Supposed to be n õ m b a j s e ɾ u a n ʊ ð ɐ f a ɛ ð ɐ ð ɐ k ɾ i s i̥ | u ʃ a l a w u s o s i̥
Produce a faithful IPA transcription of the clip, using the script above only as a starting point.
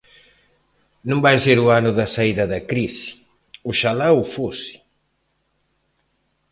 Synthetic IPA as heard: n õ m b a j s e ɾ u a n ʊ ð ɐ s a i ð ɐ ð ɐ k ɾ i s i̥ | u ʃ a l a w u f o s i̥